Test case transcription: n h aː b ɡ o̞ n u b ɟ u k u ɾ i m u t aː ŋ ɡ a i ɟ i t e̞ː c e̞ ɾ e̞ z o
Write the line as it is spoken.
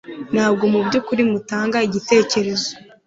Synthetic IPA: n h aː b ɡ o̞ m u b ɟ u k u ɾ i m u t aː ŋ ɡ a i ɟ i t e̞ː c e̞ ɾ e̞ z o